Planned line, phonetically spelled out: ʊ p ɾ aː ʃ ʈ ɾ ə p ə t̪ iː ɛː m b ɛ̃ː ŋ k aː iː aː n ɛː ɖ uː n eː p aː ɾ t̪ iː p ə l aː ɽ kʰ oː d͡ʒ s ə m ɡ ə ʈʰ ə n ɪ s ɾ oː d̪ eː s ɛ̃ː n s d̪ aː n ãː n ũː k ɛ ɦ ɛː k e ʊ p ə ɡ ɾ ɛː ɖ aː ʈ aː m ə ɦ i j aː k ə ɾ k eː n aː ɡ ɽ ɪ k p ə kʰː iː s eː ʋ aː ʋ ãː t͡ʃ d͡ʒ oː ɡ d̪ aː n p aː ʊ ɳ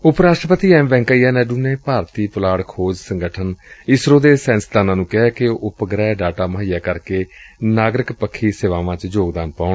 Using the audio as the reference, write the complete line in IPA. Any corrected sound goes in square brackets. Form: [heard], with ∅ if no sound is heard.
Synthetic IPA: ʊ p ɾ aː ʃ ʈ ɾ ə p ə t̪ iː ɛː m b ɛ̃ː ŋ k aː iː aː n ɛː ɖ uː n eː p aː ɾ t̪ iː p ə l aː ɽ kʰ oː d͡ʒ s ə [ŋ] ɡ ə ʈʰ ə n ɪ s ɾ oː d̪ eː s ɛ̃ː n s d̪ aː n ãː n ũː k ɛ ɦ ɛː k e ʊ p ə ɡ ɾ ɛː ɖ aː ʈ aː m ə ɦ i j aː k ə ɾ k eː n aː ɡ [ɾ] ɪ k p ə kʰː iː s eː ʋ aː ʋ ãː t͡ʃ d͡ʒ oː ɡ d̪ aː n p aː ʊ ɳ